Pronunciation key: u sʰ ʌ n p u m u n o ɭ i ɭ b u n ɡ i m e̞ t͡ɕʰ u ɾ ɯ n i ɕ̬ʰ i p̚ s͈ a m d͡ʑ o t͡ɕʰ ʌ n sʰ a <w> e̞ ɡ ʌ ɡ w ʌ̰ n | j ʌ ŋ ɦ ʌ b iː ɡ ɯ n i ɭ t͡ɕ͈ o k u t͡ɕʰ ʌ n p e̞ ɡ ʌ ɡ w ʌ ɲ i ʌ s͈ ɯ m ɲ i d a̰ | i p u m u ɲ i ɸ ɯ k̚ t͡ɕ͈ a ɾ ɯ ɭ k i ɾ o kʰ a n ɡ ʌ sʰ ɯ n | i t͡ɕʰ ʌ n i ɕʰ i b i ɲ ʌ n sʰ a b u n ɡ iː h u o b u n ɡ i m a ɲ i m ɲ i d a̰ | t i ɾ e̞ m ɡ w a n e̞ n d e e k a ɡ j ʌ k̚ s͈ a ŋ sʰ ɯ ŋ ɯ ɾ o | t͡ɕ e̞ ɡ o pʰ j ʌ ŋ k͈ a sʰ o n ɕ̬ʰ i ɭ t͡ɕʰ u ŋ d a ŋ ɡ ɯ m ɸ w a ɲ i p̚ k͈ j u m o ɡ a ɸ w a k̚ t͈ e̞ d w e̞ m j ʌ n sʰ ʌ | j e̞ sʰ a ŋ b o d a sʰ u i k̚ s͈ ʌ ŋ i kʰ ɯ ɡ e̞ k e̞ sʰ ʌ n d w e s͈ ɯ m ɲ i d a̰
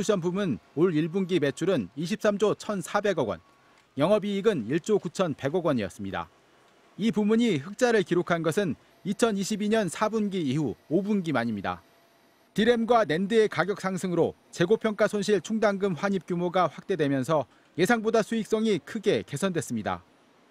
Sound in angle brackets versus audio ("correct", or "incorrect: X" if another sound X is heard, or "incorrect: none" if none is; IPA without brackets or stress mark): incorrect: b